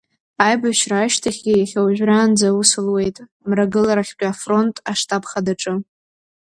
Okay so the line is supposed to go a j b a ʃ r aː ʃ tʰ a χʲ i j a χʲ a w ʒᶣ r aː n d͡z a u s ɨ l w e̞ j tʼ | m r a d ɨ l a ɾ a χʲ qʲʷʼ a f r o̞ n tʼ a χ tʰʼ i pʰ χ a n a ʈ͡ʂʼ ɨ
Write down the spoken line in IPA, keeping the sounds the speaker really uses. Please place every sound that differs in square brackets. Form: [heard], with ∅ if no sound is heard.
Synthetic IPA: a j b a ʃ r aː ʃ tʰ a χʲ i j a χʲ a w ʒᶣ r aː n d͡z a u s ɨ l w e̞ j tʼ | m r a [ɡ] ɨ l a ɾ a χʲ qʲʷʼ a f r o̞ n tʼ a [ʂ] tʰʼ [a] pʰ χ a [d] a ʈ͡ʂʼ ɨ

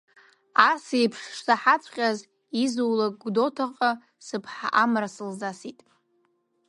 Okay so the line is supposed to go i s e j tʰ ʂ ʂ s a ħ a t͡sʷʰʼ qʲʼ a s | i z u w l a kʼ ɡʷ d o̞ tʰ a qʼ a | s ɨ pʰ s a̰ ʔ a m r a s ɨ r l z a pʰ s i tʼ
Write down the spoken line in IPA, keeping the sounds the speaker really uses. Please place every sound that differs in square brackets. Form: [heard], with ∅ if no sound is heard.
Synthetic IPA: [a] s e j [pʰ] ʂ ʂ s a ħ a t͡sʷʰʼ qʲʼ a [z] | i z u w l a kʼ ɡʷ d o̞ tʰ a qʼ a | s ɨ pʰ [ħ] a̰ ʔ a m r a s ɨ [∅] l z a [∅] s i tʼ

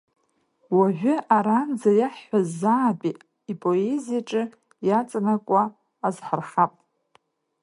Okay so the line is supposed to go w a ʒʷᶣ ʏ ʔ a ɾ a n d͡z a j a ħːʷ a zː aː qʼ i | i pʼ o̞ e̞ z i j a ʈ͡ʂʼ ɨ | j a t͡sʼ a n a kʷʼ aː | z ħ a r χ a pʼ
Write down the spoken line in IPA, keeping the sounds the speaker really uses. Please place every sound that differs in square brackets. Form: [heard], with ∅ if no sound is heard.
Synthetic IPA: w a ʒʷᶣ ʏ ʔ a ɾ a n d͡z a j a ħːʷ a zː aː [pʼ] i | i pʼ o̞ e̞ z i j a ʈ͡ʂʼ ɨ | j a t͡sʼ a n a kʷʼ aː | z ħ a r χ a pʼ

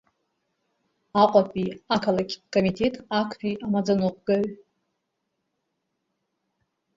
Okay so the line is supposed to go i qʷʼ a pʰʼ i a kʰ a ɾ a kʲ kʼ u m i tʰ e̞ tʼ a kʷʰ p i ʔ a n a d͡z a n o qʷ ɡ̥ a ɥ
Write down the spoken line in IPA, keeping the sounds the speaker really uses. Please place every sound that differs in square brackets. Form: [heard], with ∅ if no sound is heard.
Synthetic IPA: [a] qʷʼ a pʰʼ i a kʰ a [l] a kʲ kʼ [o] m i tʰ e̞ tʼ a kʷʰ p i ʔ a [m] a d͡z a n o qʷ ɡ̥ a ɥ

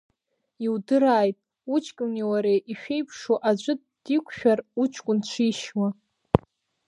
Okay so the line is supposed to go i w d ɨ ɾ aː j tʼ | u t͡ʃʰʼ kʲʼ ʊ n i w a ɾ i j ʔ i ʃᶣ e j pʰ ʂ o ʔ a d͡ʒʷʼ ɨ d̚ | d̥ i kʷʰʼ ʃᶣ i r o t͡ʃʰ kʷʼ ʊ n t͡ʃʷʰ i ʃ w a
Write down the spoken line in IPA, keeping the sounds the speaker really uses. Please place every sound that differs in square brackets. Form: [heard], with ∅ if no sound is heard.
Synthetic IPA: i w d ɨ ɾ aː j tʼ | u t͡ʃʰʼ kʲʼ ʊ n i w a ɾ [e] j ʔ i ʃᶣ e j pʰ ʂ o ʔ a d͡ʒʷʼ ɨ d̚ | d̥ i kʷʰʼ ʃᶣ [a] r [u] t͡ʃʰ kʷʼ ʊ n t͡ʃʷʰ i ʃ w a

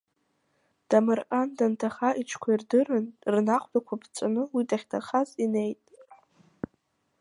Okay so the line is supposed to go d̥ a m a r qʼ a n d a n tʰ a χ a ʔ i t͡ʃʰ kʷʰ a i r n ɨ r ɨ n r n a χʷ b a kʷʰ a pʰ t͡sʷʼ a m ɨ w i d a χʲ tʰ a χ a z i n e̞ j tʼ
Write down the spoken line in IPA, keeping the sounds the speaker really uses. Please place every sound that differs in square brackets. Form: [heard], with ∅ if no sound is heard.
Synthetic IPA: d̥ a m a r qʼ a n d a n tʰ a χ a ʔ i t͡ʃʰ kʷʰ a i r [d] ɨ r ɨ n r n a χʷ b a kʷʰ a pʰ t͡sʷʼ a [n] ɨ w i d a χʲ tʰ a χ a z i n e̞ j tʼ

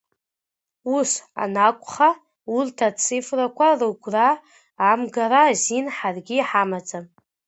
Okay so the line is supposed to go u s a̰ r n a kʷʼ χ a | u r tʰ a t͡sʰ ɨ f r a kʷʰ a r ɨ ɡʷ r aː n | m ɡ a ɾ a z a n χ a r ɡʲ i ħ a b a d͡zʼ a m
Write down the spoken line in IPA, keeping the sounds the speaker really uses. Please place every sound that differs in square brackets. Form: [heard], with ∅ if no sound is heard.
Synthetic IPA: u s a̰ [∅] n a kʷʼ χ a | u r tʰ a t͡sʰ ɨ f r a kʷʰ a r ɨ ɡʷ r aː [∅] | m ɡ a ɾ a z [i] n [ħ] a r ɡʲ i ħ a [m] a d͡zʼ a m

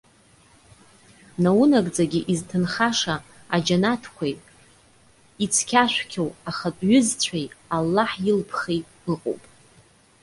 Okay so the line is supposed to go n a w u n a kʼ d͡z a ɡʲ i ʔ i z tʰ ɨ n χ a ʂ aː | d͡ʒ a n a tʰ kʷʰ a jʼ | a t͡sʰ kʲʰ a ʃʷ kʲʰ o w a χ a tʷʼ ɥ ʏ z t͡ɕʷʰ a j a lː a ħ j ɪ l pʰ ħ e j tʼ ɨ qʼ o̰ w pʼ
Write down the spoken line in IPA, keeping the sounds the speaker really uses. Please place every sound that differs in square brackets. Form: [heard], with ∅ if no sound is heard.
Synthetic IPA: n a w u n a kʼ d͡z a ɡʲ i ʔ i z tʰ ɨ n χ a ʂ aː | d͡ʒ a n a tʰ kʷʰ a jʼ | [i] t͡sʰ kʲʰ a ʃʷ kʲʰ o w a χ a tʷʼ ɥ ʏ z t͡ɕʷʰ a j a lː a ħ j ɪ l pʰ [χ] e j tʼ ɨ qʼ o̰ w pʼ

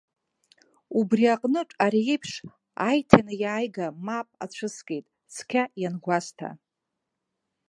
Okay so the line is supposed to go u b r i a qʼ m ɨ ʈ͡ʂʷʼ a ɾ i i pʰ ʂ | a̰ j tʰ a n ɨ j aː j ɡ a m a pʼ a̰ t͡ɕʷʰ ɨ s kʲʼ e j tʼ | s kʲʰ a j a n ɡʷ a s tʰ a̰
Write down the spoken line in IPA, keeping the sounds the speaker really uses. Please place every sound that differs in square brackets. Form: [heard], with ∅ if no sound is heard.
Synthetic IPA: u b r i a qʼ [n] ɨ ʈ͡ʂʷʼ a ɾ i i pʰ ʂ | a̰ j tʰ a n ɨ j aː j ɡ a m a pʼ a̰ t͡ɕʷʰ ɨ s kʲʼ e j tʼ | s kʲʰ a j a n ɡʷ a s tʰ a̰

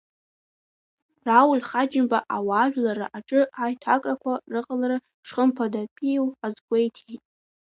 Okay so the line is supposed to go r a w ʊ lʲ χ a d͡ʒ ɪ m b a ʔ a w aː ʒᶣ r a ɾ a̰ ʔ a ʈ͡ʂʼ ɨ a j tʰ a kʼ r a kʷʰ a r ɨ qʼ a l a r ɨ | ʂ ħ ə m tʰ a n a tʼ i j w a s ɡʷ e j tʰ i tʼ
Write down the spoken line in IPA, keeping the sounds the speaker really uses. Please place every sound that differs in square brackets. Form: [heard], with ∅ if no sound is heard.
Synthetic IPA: r a w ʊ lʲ χ a d͡ʒ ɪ m b a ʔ a w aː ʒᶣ [l] a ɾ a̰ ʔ a ʈ͡ʂʼ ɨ a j tʰ a kʼ r a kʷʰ a r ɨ qʼ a l a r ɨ | ʂ [χ] ə m [pʰ] a [d] a [pʼ] i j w a [z] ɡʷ e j tʰ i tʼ

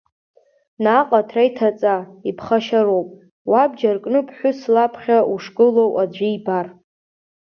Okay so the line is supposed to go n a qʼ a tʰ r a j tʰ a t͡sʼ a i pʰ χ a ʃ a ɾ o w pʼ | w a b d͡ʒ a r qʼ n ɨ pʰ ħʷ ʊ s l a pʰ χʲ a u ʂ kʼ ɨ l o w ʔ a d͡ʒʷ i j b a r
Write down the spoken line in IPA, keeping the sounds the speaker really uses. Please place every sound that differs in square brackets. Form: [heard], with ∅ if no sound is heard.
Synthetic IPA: n a qʼ a tʰ r a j tʰ a t͡sʼ a i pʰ χ a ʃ a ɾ o w pʼ | w a b d͡ʒ a r [kʼ] n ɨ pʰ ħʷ ʊ s l a pʰ χʲ a u ʂ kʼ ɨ l o w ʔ a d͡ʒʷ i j b a r

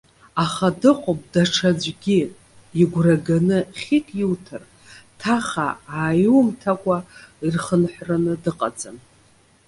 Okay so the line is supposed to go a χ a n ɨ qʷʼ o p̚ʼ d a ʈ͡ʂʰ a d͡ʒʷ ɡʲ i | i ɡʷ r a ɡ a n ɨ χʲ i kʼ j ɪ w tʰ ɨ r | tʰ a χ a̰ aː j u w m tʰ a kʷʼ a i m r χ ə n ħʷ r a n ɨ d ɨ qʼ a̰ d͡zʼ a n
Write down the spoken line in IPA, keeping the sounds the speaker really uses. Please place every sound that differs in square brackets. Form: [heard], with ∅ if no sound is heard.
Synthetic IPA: a χ a [d] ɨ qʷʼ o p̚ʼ d a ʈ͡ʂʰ a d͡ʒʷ ɡʲ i | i ɡʷ r a ɡ a n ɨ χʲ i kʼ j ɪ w tʰ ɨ r | tʰ a χ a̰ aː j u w m tʰ a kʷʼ a i [∅] r χ ə n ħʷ r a n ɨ d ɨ qʼ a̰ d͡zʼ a n

